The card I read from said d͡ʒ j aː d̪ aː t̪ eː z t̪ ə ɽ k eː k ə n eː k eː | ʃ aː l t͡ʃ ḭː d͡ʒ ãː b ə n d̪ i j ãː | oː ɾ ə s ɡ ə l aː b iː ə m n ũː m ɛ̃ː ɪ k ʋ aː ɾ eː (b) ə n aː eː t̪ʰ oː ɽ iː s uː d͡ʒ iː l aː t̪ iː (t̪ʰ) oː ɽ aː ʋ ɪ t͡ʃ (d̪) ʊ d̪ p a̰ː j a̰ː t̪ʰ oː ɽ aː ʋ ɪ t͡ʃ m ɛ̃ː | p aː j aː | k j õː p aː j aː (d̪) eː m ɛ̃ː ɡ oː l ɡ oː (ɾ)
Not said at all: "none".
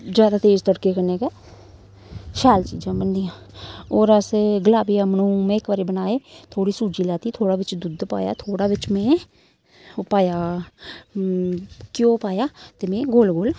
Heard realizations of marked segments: b, t̪ʰ, d̪, t̪, l

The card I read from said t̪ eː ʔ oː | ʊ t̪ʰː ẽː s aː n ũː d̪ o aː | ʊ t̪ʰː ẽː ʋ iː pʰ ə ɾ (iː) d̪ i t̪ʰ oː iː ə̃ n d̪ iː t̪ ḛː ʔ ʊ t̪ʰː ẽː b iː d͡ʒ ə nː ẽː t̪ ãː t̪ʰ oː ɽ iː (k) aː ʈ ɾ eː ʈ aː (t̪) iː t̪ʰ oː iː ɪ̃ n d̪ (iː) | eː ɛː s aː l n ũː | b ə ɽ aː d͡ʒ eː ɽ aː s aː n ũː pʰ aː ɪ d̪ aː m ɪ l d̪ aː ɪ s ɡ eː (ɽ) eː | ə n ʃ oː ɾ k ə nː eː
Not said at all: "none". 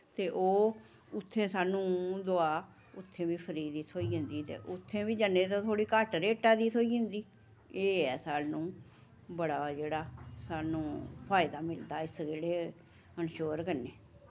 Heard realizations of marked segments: iː, k, d̪, iː, ɽ

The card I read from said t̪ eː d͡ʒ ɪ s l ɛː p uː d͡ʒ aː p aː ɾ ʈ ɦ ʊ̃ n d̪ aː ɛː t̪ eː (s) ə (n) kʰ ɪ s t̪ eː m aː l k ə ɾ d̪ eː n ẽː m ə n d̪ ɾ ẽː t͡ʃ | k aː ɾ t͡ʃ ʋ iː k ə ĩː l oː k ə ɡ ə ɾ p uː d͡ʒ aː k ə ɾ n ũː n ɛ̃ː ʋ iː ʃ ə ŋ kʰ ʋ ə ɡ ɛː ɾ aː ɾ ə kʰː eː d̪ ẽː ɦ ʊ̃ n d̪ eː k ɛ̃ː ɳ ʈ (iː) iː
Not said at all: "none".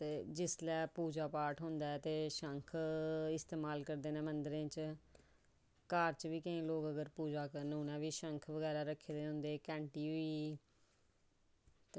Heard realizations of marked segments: ʃ, ŋ, iː

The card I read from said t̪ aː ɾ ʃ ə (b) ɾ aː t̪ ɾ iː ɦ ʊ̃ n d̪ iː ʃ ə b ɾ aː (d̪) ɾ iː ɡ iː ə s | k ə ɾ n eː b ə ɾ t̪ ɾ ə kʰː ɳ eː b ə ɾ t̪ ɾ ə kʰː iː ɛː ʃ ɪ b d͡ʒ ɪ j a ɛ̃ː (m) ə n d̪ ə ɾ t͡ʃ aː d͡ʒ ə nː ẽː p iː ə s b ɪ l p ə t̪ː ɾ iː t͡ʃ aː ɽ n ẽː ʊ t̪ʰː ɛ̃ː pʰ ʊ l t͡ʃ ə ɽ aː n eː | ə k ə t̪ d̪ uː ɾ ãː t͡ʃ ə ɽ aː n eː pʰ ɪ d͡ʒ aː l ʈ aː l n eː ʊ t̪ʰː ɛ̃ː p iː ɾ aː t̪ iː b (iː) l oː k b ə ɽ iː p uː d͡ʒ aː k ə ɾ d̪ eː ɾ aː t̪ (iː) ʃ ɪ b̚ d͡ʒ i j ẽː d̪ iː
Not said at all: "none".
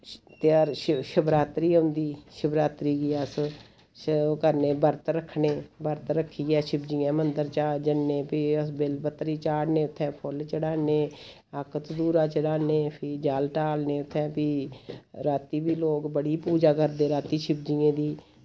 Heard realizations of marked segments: b, t̪, m, iː, iː

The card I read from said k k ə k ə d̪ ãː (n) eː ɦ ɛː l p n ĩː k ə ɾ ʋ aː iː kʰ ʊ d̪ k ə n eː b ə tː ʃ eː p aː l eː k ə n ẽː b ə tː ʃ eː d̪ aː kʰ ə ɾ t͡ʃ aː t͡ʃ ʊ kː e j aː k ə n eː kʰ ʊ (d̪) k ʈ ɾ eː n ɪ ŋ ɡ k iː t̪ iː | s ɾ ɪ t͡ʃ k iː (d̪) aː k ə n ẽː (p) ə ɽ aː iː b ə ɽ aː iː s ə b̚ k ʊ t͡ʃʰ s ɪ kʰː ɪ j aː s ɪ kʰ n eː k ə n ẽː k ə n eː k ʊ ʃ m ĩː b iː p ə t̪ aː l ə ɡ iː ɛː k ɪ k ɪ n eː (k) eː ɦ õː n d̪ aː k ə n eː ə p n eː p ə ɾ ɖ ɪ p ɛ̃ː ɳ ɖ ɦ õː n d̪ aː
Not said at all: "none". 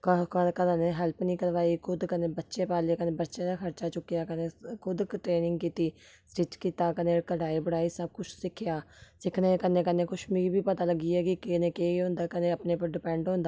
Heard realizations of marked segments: n, d̪, t̪, k, k

